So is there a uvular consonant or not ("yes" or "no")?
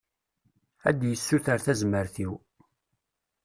no